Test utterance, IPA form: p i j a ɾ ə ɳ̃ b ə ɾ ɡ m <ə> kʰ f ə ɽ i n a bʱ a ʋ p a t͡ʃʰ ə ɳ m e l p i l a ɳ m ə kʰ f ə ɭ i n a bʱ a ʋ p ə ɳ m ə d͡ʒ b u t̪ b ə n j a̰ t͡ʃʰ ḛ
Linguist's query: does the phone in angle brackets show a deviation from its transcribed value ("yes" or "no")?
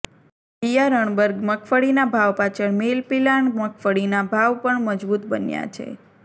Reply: no